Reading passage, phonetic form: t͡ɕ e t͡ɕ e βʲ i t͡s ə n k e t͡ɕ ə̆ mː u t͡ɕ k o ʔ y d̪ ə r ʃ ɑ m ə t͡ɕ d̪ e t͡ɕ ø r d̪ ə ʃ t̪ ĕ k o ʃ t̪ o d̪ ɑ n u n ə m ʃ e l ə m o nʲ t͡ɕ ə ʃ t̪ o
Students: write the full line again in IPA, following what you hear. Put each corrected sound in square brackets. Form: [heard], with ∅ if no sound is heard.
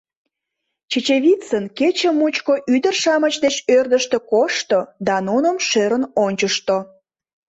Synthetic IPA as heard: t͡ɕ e t͡ɕ e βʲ i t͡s ə n k e t͡ɕ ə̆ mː u t͡ɕ k o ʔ y d̪ ə r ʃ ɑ m ə t͡ɕ d̪ e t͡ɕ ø r d̪ ə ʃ t̪ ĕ k o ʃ t̪ o d̪ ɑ n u n ə m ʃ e [ɾ] ə [n] o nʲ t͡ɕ ə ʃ t̪ o